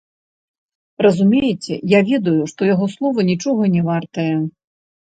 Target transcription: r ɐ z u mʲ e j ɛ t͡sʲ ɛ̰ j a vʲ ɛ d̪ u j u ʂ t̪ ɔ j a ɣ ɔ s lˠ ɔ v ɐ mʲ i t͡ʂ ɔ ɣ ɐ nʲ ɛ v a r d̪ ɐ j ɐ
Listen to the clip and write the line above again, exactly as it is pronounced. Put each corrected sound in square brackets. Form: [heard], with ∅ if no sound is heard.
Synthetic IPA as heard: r ɐ z u mʲ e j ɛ t͡sʲ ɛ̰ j a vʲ ɛ d̪ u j u ʂ t̪ ɔ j a ɣ ɔ s lˠ ɔ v ɐ [nʲ] i t͡ʂ ɔ ɣ ɐ nʲ ɛ v a r [t̪] ɐ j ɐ